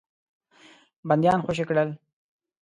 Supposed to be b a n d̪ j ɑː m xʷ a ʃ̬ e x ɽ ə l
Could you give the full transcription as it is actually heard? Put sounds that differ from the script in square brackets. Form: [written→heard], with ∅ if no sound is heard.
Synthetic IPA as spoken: b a n d̪ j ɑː [m→n] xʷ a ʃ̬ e [x→k] ɽ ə l